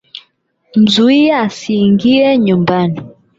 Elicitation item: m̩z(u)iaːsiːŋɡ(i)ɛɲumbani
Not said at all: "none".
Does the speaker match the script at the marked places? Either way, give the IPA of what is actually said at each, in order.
u, i

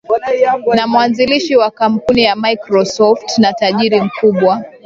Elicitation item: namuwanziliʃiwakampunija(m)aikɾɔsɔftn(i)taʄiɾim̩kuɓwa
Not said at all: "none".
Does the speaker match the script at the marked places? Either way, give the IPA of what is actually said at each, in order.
m, a

